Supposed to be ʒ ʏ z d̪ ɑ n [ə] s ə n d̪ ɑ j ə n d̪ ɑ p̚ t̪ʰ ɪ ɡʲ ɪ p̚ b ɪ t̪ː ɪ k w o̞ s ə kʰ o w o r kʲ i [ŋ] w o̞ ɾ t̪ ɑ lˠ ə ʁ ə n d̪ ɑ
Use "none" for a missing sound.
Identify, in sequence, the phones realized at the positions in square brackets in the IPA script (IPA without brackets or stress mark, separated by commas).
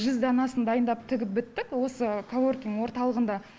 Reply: ɑ, ŋ